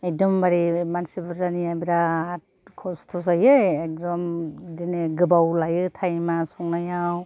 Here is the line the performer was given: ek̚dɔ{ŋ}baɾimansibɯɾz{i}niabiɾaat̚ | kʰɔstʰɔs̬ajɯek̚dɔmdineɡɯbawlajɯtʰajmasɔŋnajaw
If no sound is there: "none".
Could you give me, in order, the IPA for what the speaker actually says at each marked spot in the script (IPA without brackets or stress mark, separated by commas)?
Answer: m, a